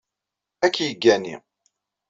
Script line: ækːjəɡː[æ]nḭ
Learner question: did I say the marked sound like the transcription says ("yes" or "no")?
yes